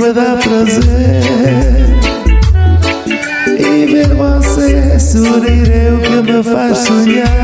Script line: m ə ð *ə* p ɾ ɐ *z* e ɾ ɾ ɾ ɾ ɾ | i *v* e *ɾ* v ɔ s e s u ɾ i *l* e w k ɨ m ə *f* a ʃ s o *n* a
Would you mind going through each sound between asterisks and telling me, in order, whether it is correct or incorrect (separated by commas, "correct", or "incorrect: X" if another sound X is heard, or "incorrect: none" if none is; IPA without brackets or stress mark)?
incorrect: a, correct, correct, correct, incorrect: ɾ, correct, incorrect: ɲ